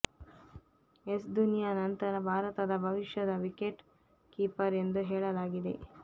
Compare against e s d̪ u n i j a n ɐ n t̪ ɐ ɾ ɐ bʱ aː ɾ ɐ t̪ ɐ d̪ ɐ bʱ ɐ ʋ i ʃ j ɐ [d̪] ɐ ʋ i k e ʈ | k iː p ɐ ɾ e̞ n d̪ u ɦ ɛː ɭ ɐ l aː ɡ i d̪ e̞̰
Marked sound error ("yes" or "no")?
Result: no